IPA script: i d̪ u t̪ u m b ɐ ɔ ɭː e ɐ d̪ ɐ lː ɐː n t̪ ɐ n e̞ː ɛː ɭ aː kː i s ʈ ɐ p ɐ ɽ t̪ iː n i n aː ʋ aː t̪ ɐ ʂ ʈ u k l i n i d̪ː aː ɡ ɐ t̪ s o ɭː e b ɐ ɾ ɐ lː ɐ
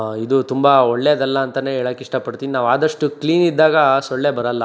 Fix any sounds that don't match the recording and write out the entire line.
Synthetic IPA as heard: i d̪ u t̪ u m b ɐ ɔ ɭː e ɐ d̪ ɐ lː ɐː n t̪ ɐ n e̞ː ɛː ɭ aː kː i ʂ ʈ ɐ p ɐ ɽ t̪ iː n i n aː ʋ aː d̪ ɐ ʂ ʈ u k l iː n i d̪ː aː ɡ ɐ s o ɭː e b ɐ ɾ ɐ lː ɐ